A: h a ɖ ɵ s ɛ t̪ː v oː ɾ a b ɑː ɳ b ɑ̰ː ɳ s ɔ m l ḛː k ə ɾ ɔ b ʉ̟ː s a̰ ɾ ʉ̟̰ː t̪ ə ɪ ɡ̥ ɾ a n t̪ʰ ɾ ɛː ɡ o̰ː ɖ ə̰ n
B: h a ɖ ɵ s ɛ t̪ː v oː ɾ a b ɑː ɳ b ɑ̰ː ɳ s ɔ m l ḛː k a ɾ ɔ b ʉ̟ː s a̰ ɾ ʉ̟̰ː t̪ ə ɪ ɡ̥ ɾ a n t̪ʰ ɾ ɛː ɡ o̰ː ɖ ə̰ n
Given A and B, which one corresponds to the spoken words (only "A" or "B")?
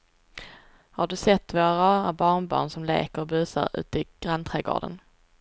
A